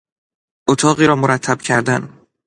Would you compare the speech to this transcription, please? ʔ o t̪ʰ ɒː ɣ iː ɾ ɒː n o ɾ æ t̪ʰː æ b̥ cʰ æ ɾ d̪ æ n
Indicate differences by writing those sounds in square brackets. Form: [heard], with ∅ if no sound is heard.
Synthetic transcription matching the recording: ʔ o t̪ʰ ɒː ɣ iː ɾ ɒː [m] o ɾ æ t̪ʰː æ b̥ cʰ æ ɾ d̪ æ n